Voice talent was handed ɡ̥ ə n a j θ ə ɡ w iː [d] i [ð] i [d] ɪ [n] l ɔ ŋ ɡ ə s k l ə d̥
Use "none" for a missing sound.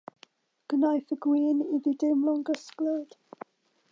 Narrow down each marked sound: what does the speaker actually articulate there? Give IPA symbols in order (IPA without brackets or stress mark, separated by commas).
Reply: n, ð, d, m